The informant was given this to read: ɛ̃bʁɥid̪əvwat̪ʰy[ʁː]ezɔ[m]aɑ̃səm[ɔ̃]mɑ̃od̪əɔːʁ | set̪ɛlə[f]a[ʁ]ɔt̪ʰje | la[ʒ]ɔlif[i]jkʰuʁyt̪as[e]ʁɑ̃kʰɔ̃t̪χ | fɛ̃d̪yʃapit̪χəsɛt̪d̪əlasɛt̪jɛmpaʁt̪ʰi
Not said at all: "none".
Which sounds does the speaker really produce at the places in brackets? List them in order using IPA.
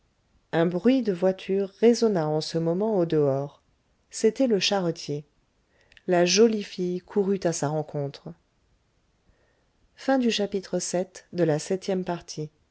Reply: ʁː, n, ɔ, ʃ, ʁ, ʒ, i, a

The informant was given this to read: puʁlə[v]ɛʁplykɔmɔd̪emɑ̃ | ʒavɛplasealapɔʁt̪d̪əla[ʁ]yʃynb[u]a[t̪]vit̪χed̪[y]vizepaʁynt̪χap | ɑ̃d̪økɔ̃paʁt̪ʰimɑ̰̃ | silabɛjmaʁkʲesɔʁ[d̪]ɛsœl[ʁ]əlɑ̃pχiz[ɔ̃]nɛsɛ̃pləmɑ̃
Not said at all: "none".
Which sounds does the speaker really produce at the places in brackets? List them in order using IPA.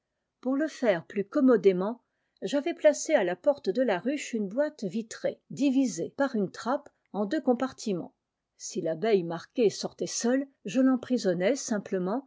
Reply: f, ʁ, w, t̪, i, t̪, ʒ, ɔ

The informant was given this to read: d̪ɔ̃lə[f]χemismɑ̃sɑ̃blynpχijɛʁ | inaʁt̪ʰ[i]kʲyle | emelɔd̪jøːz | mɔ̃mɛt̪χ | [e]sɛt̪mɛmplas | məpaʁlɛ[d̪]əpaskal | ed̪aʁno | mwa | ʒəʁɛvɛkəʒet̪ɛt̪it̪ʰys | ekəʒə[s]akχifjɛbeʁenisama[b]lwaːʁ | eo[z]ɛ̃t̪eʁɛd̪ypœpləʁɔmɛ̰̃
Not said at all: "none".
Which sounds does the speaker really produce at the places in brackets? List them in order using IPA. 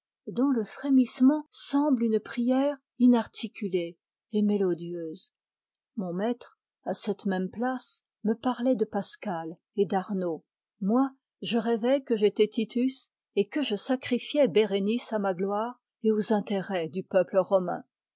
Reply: f, i, a, d̪, s, ɡ, z

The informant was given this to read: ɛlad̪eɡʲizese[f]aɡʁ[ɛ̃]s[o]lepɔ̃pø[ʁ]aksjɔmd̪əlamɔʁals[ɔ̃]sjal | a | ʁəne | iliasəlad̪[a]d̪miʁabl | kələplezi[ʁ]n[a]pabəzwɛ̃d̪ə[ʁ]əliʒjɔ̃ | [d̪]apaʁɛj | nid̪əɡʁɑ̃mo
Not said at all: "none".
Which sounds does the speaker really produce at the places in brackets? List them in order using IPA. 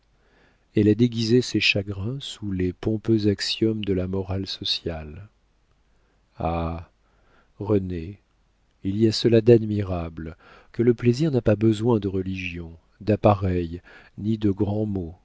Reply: ʃ, ɛ̃, u, z, ɔ, a, ʁ, a, ʁ, d̪

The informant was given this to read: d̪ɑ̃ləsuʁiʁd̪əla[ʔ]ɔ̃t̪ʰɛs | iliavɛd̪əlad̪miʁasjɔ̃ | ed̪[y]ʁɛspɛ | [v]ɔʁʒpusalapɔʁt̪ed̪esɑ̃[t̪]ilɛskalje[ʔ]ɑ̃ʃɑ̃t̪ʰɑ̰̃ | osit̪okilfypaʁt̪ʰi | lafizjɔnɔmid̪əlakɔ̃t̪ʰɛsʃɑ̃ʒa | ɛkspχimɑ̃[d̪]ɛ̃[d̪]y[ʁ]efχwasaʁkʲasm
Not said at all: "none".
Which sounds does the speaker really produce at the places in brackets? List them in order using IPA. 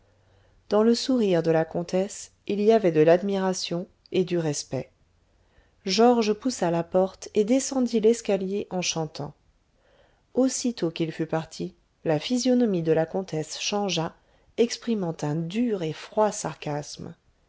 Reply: k, y, ʒ, d̪, ʔ, t̪, d̪, ʁ

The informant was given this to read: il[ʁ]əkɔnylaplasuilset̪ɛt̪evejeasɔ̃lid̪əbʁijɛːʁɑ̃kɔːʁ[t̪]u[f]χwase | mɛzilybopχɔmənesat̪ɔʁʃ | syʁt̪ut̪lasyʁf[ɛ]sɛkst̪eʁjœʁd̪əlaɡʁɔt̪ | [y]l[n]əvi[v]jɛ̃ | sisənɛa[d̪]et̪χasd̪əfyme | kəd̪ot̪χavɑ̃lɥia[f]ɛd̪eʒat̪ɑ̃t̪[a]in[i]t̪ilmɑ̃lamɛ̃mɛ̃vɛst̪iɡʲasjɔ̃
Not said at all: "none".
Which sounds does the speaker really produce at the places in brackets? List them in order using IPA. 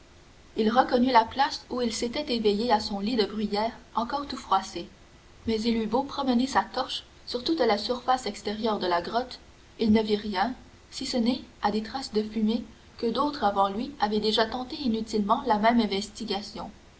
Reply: ʁ, t̪, f, a, i, n, ʁ, d̪, v, e, y

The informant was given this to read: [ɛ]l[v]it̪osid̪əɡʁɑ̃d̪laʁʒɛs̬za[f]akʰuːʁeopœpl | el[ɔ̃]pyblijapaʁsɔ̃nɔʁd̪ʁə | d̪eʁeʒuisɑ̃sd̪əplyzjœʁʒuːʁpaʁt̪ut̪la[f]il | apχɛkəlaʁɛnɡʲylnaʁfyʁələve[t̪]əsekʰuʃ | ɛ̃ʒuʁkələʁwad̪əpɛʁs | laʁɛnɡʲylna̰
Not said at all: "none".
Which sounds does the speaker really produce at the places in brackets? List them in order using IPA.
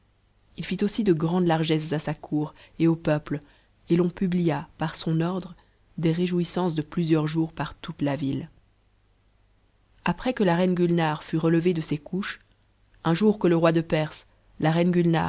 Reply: i, f, s, ɔ̃, v, d̪

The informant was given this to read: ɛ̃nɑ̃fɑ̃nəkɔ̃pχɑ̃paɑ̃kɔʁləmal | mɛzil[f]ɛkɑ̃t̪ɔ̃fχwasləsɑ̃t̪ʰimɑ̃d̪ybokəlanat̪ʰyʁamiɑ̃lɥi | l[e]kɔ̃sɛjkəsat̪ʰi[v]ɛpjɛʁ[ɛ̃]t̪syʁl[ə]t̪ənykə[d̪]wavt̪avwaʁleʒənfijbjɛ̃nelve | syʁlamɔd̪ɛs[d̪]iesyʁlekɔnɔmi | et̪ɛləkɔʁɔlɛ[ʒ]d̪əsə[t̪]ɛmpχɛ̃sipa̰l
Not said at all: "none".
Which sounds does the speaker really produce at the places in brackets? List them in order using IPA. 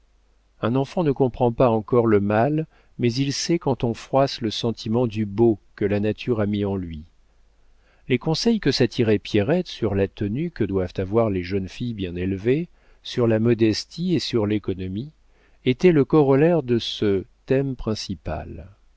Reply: s, e, ʁ, ɛ, a, d̪, t̪, ʁ, t̪

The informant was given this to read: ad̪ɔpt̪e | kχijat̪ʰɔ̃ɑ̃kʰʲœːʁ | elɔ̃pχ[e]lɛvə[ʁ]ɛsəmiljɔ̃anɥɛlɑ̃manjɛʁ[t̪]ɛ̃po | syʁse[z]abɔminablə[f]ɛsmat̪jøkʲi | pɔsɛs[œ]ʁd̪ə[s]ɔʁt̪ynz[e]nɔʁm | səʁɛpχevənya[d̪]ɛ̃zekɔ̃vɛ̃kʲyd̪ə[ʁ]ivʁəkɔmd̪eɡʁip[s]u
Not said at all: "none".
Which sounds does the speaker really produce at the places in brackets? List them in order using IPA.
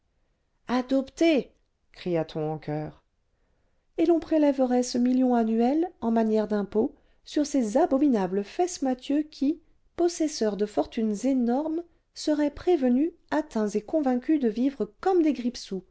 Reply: e, ʁ, d̪, z, f, œ, f, e, t̪, v, s

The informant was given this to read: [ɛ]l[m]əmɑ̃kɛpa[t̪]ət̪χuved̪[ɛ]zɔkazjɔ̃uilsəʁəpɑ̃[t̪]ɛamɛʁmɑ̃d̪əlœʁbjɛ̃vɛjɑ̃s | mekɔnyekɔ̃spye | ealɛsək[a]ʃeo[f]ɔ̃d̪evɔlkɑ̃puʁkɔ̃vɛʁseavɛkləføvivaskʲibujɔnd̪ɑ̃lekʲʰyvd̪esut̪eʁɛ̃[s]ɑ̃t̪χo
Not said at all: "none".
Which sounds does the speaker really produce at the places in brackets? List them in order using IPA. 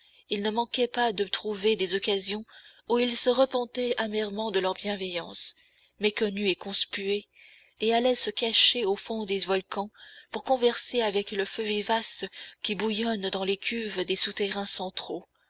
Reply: i, n, d̪, e, t̪, a, f, s

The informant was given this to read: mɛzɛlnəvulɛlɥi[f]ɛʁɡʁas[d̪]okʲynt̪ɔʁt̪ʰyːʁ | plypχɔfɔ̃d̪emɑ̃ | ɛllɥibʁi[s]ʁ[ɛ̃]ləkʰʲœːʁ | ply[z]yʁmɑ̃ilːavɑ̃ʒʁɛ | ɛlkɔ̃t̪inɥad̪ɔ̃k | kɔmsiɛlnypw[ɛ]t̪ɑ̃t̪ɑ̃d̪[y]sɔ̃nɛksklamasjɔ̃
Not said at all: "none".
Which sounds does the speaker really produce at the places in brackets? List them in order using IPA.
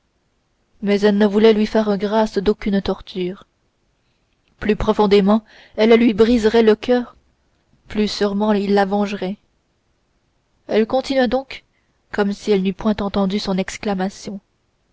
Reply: f, d̪, z, ɛ, s, ɛ̃, y

